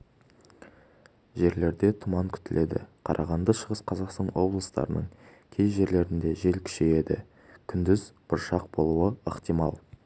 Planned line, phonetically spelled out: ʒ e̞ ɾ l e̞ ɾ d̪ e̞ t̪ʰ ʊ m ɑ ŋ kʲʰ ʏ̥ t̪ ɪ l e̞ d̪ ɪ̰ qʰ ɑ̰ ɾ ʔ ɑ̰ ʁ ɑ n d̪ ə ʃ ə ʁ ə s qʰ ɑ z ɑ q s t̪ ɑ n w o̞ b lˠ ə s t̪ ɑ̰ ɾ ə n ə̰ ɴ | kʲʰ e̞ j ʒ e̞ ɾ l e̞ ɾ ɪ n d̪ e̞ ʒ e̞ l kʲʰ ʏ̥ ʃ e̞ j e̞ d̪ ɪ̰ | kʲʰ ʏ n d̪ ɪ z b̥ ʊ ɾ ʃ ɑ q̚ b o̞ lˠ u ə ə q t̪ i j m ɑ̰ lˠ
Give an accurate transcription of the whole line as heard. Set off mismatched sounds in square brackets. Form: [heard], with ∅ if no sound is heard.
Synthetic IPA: ʒ e̞ ɾ l e̞ ɾ d̪ e̞ t̪ʰ ʊ m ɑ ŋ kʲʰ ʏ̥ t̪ ɪ l e̞ d̪ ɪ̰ qʰ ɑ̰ ɾ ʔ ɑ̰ ʁ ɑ n d̪ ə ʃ ə ʁ ə s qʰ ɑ z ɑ q s t̪ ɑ n w o̞ b lˠ ə s t̪ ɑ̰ ɾ ə n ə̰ ɴ | kʲʰ e̞ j ʒ e̞ ɾ l e̞ ɾ ɪ n d̪ e̞ ʒ e̞ l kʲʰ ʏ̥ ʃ e̞ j e̞ d̪ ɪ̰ | kʲʰ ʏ n d̪ ɪ z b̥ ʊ ɾ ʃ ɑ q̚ b o̞ lˠ u ə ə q t̪ i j m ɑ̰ lˠ